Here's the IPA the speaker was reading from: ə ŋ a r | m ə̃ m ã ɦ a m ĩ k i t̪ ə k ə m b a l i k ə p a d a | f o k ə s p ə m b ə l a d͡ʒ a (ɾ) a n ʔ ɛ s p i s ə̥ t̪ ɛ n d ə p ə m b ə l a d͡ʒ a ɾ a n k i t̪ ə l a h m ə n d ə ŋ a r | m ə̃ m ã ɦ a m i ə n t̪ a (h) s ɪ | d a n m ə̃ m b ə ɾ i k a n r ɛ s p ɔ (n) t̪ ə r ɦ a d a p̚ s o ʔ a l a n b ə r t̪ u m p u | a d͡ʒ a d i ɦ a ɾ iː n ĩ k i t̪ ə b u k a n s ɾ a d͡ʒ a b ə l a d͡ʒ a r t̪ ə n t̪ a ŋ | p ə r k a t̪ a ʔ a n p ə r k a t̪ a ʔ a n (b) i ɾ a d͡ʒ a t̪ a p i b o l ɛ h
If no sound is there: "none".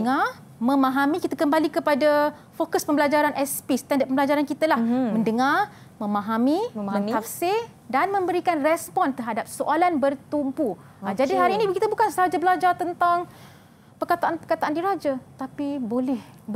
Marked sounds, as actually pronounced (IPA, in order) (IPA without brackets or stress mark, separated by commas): ɾ, f, n, d